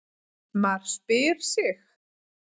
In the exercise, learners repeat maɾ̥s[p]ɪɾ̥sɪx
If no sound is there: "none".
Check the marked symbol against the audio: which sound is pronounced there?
p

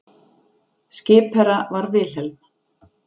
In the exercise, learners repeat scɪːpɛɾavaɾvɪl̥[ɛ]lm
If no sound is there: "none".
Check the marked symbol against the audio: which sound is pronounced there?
ɛ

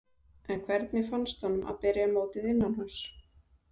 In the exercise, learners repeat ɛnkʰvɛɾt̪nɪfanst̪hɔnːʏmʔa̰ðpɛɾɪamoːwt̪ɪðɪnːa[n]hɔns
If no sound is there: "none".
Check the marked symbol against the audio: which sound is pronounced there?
n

